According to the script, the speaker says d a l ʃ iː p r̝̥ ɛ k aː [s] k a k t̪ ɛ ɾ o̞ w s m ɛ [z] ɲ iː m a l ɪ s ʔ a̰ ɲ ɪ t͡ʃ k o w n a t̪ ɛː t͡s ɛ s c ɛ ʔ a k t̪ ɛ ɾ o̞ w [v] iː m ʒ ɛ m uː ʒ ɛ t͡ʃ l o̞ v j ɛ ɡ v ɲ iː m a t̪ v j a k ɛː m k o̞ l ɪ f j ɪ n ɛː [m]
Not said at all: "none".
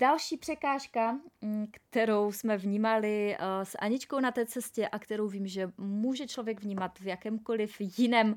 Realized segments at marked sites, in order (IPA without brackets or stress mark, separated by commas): ʃ, v, v, m